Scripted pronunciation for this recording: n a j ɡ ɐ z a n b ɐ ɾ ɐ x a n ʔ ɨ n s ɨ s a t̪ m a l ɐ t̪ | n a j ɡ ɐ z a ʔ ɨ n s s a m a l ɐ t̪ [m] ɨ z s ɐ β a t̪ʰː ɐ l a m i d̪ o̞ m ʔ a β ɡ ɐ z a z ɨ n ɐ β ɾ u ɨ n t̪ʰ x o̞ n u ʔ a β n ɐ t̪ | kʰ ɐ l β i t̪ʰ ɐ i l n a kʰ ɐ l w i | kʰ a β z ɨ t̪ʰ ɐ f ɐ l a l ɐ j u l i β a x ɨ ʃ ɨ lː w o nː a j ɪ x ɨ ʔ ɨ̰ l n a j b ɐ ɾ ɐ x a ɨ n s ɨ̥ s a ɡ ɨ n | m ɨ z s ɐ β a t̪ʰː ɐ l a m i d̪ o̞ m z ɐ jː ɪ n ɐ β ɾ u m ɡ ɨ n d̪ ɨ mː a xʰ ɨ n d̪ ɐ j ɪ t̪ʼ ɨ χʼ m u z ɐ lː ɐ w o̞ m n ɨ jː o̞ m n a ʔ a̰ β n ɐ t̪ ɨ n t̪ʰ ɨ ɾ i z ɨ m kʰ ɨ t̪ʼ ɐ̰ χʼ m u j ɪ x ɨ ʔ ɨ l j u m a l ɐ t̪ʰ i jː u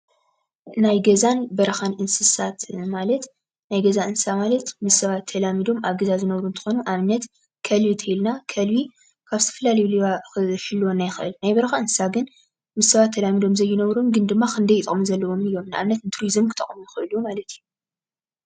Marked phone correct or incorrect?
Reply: correct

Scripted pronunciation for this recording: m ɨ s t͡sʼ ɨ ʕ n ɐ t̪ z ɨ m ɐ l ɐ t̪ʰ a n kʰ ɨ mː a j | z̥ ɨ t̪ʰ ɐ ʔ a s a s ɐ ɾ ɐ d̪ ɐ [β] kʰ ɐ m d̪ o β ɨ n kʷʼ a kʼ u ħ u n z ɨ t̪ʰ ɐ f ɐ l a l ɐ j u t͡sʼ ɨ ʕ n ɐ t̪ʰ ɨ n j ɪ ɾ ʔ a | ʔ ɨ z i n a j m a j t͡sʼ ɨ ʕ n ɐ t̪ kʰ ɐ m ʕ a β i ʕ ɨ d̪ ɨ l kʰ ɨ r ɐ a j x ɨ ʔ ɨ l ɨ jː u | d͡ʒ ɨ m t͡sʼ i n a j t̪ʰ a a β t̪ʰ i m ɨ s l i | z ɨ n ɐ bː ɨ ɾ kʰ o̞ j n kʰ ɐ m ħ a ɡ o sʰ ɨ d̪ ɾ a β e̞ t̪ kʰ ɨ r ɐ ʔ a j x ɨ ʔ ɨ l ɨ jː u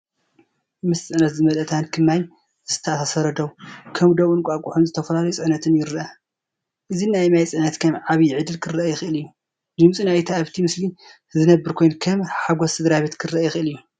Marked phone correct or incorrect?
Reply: incorrect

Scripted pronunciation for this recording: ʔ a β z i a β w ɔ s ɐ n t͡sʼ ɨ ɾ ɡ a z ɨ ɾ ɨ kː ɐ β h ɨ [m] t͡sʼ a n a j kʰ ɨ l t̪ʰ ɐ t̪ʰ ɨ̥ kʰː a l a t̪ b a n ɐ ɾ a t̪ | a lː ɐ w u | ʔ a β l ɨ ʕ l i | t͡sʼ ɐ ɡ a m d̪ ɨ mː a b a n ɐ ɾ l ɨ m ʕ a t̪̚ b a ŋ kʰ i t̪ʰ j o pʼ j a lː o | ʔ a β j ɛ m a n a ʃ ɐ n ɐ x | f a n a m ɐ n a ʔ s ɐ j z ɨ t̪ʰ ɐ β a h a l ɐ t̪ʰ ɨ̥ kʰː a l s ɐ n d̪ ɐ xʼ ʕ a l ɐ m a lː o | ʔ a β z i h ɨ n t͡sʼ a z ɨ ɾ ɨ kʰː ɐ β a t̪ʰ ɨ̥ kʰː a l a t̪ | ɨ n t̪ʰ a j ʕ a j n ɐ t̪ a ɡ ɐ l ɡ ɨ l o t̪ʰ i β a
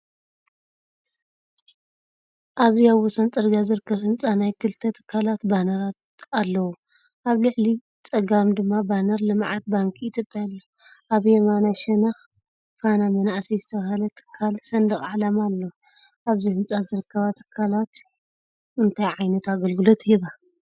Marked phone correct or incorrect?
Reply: incorrect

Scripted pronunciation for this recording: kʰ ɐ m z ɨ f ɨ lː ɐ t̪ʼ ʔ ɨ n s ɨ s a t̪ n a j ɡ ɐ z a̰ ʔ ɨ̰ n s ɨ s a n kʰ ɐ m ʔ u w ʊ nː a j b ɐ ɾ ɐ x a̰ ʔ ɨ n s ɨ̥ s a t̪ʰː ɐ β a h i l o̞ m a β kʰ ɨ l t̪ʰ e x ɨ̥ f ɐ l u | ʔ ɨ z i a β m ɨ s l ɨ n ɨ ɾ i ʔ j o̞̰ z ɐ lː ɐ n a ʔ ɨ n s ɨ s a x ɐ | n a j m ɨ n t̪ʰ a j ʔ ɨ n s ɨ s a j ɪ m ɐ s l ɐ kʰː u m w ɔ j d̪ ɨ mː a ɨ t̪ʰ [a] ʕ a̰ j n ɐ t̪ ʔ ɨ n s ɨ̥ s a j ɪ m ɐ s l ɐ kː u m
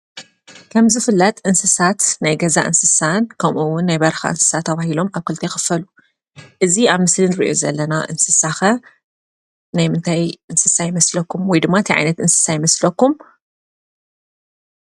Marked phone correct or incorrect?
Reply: incorrect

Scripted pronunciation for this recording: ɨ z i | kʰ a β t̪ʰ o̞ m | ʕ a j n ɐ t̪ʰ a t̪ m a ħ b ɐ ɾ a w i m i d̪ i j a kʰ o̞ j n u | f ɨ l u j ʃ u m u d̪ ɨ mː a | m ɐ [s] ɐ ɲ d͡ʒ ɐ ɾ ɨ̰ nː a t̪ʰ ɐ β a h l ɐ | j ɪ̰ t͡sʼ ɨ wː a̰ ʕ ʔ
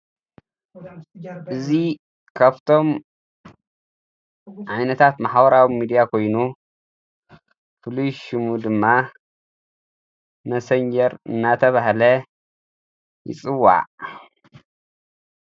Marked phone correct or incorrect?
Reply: correct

